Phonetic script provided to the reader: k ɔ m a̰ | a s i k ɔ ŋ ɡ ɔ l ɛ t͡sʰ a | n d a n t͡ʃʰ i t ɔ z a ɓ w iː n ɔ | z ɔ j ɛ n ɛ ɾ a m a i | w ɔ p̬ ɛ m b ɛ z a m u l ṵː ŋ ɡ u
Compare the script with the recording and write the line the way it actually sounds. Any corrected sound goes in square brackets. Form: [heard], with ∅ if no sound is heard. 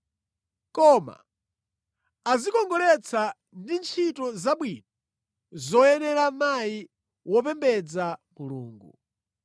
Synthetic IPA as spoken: k ɔ m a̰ | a [z] i k ɔ ŋ ɡ ɔ l ɛ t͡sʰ a | n d [i] n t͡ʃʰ i t ɔ z a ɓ w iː n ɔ | z ɔ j ɛ n ɛ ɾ a m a i | w ɔ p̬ ɛ m b ɛ [d͡z] a m u l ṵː ŋ ɡ u